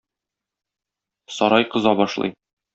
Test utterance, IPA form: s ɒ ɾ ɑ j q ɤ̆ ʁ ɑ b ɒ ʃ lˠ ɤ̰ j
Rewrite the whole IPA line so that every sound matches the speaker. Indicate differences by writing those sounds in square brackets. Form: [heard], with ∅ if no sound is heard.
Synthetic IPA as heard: s ɒ ɾ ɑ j q ɤ̆ [z] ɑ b ɒ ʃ lˠ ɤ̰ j